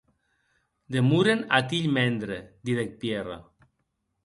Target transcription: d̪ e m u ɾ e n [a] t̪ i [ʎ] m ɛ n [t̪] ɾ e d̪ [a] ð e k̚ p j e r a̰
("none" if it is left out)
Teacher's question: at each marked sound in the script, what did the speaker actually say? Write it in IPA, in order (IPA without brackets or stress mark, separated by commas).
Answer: a, ʎ, d̪, i